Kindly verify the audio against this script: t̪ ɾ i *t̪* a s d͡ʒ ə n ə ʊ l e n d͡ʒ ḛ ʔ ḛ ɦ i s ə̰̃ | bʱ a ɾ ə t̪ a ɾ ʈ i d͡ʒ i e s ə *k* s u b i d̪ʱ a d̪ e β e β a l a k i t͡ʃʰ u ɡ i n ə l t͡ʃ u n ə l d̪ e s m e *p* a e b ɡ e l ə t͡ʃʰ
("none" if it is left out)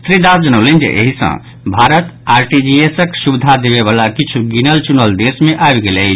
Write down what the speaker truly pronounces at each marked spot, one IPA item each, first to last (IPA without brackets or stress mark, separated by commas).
d̪, k, ʔ